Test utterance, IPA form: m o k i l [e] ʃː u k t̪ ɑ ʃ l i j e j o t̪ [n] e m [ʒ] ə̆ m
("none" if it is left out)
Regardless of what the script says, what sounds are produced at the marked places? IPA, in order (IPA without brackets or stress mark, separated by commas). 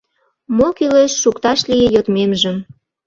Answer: e, m, ʒ